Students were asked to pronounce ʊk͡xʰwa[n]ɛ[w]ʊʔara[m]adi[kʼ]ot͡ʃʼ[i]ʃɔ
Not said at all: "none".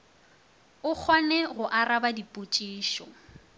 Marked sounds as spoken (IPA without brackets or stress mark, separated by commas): n, ɣ, b, pʼ, iː